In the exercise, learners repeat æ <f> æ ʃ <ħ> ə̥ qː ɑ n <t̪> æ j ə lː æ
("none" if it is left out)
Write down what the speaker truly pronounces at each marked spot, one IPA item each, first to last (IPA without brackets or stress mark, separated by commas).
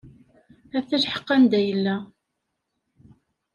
θ, ħ, d̪